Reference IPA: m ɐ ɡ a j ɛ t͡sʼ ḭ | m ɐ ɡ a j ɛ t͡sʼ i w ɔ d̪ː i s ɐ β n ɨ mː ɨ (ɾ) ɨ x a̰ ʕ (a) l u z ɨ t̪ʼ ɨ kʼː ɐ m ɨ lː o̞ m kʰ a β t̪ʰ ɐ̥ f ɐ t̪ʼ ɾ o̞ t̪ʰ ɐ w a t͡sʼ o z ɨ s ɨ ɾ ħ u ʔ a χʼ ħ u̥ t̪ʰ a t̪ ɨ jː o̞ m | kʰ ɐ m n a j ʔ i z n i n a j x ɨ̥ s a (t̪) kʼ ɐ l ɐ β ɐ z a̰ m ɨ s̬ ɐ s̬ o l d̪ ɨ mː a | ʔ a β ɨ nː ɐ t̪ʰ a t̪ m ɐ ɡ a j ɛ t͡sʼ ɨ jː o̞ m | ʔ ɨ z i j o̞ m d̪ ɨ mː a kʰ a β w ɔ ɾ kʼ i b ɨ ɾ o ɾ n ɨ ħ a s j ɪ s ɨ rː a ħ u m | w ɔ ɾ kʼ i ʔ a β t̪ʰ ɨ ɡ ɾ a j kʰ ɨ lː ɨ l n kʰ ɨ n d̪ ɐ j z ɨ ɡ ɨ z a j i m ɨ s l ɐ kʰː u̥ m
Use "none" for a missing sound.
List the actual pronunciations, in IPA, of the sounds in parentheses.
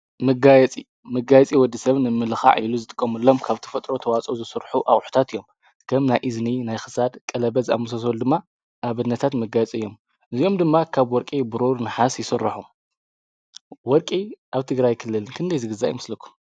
l, i, d̪

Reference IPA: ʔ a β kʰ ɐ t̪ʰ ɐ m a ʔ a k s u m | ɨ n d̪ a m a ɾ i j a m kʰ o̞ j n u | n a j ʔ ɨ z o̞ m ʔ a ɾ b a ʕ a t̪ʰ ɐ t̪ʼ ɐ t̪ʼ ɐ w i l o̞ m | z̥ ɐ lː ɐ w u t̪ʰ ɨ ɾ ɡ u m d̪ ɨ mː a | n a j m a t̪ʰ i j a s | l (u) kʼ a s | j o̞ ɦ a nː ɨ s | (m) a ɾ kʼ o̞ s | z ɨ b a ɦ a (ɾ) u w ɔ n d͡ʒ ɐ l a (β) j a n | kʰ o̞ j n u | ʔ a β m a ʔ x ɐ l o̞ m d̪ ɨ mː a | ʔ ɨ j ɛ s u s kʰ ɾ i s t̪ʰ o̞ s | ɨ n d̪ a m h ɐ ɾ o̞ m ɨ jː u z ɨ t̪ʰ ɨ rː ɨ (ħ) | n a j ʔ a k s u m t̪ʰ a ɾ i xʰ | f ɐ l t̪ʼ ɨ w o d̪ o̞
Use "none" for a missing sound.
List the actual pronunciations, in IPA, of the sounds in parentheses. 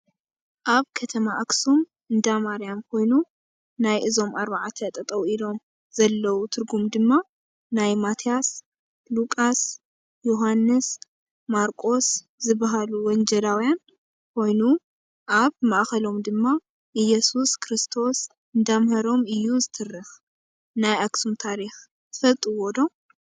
u, m, l, w, x

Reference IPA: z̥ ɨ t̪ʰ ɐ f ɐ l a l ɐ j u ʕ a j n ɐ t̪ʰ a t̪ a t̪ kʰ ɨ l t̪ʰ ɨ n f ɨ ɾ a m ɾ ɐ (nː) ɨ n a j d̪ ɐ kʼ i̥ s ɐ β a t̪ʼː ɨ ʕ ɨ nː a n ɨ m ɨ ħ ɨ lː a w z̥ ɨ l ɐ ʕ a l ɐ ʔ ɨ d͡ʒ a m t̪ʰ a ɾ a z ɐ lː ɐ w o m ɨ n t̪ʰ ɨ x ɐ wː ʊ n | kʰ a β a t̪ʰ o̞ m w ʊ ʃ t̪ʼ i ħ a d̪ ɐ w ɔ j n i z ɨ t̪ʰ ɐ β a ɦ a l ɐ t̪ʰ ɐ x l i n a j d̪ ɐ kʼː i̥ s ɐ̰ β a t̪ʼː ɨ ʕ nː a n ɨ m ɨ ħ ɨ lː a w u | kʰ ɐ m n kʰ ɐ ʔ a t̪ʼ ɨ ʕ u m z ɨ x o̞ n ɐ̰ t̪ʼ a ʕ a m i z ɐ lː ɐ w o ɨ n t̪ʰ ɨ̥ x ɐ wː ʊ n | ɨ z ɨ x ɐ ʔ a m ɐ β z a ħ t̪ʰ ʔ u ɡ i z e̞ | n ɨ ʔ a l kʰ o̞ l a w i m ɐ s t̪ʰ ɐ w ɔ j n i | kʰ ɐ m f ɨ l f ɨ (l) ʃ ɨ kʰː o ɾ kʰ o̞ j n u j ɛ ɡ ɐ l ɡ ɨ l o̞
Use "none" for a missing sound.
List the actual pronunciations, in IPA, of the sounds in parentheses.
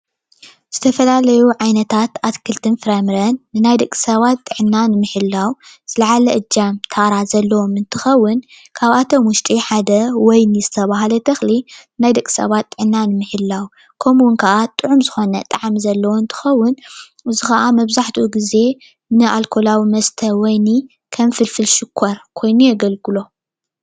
nː, l

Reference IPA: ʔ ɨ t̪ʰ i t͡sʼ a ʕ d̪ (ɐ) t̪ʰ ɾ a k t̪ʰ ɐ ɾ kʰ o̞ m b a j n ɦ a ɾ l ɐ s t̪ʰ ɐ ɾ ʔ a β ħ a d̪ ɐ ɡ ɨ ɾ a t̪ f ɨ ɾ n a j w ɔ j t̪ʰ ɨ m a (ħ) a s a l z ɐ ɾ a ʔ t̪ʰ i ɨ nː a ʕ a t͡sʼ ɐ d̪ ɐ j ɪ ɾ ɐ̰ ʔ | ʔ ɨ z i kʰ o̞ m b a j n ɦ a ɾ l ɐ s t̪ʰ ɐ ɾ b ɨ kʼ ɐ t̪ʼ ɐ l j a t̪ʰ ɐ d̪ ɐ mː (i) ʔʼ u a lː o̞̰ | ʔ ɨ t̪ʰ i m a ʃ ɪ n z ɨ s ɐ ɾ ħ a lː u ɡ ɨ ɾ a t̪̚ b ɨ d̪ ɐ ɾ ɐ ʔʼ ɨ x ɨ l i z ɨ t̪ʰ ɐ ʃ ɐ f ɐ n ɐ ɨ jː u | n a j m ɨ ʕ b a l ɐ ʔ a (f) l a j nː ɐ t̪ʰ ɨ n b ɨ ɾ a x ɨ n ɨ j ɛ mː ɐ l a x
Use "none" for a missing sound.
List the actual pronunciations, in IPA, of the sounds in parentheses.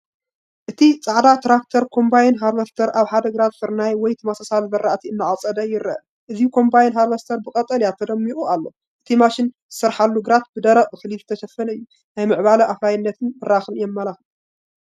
a, s, i, f

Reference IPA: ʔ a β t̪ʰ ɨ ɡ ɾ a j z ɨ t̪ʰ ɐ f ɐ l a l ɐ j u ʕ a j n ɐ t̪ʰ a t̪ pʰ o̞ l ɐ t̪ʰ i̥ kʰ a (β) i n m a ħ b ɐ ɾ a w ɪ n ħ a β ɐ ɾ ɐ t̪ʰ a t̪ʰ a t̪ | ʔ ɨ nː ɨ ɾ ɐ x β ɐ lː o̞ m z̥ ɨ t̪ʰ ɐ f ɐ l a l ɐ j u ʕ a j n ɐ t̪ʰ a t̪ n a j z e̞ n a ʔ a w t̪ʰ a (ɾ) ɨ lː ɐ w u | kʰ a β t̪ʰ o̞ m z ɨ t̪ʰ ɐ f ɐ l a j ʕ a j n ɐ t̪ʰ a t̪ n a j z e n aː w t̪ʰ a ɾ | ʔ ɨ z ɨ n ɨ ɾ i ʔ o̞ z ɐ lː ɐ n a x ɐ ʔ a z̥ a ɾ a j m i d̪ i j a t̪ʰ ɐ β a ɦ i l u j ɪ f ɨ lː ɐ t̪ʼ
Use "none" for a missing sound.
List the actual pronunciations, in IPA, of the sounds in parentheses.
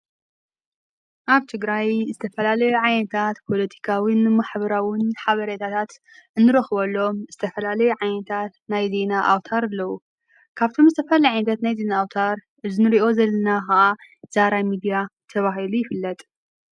w, ɾ

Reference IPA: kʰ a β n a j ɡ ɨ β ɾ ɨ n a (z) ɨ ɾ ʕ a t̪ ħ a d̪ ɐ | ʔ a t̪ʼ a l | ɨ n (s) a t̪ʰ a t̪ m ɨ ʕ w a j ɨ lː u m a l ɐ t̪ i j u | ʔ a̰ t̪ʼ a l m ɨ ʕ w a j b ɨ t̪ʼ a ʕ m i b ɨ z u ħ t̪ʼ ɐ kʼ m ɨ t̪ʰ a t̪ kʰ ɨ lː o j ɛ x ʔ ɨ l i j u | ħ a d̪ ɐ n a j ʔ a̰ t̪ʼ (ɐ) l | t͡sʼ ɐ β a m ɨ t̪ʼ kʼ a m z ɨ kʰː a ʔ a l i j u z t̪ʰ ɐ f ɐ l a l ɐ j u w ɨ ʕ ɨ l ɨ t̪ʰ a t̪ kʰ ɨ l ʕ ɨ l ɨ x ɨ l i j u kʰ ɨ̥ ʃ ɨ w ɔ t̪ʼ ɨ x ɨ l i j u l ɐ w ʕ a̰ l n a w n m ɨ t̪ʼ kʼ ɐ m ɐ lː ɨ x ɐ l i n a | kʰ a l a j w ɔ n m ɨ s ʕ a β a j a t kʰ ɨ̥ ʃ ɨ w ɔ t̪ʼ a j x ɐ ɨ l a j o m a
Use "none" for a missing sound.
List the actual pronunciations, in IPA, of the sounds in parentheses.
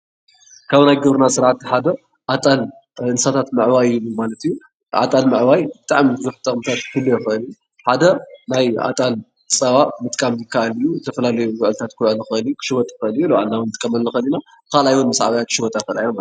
s, s, a

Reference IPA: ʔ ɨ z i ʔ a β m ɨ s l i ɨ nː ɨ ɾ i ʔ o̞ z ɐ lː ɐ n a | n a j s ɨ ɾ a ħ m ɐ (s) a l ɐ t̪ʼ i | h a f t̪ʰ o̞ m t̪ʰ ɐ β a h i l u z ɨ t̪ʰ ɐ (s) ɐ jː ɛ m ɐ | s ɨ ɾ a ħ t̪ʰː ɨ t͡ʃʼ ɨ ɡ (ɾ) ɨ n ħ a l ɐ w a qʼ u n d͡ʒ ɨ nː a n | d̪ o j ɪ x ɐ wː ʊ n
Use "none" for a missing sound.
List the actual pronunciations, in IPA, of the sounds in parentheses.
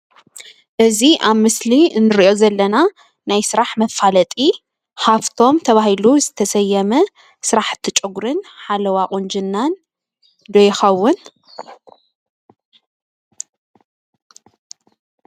f, s, ɾ

